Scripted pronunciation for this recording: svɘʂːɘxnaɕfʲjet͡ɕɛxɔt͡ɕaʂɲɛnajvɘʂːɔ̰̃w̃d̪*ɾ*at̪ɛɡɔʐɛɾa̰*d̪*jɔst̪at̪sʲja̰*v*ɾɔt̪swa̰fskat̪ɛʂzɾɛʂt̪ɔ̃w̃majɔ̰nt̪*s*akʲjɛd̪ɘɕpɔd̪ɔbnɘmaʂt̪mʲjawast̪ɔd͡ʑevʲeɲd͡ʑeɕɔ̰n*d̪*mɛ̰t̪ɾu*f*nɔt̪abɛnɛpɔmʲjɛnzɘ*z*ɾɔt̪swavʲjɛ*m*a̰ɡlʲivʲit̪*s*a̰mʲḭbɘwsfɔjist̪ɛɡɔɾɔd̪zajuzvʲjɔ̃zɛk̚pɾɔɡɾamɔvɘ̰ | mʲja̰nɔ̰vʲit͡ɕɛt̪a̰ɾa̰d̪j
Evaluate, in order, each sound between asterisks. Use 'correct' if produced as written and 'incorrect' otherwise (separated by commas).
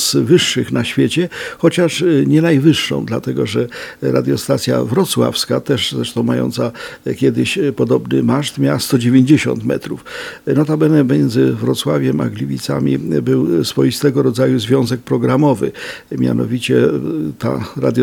incorrect, correct, correct, correct, incorrect, correct, incorrect, correct, correct